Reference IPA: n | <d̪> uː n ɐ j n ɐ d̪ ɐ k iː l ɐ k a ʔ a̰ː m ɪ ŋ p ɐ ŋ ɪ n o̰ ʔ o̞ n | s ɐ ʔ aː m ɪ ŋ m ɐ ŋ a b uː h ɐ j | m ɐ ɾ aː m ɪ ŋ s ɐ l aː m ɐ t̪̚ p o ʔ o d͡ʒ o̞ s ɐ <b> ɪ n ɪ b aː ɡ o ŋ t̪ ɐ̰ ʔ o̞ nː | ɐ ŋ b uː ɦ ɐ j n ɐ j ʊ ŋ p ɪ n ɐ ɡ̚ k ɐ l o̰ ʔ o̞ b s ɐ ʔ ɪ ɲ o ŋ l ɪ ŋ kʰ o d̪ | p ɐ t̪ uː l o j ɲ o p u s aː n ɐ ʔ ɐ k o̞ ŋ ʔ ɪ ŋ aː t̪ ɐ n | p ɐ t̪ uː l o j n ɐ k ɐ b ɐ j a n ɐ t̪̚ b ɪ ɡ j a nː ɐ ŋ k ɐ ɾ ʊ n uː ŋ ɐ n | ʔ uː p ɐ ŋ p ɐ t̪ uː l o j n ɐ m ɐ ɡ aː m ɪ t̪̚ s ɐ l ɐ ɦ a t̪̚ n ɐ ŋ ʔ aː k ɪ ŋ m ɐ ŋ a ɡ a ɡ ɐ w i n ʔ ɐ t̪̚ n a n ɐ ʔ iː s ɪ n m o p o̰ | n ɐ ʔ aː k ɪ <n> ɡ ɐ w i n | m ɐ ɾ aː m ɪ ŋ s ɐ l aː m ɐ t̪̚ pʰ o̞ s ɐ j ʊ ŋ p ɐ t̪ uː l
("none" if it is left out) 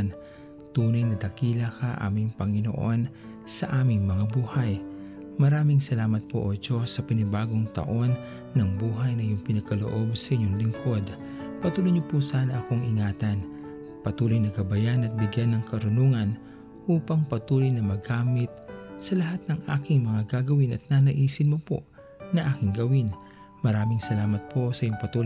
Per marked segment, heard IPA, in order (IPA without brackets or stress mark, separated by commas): t̪, p, ŋ